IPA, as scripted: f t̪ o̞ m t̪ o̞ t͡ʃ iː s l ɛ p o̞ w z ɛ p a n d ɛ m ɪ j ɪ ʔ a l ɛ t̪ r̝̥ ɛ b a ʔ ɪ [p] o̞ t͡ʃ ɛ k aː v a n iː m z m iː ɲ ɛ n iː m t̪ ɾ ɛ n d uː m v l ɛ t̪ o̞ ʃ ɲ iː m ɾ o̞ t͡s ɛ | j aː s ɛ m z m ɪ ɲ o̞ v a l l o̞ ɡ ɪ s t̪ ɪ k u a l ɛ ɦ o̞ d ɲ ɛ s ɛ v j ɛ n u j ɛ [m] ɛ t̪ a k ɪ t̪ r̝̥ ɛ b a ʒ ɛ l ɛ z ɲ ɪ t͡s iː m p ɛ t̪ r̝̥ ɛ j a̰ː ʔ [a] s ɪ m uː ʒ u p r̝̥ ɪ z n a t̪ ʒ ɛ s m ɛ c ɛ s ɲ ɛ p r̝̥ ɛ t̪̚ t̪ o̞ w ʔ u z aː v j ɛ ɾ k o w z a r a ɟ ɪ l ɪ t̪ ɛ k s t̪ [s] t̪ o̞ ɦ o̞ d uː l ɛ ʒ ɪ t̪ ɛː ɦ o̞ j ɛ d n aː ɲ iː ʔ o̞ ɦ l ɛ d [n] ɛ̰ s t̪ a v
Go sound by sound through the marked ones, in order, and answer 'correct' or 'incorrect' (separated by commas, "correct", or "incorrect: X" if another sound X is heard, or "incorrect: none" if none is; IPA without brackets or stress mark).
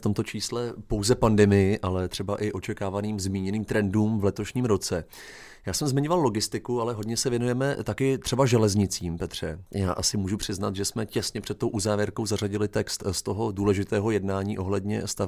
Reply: incorrect: ʔ, correct, correct, correct, incorrect: ɲ